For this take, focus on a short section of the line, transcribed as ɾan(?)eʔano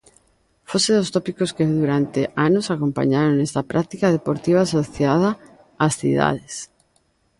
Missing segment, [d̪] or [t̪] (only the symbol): t̪